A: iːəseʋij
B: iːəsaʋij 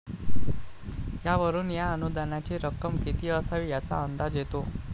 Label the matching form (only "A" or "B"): B